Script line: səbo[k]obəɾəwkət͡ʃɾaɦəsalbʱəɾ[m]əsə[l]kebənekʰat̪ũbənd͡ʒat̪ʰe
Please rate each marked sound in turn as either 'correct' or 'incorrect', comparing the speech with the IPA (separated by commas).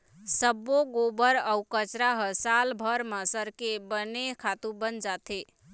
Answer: incorrect, correct, incorrect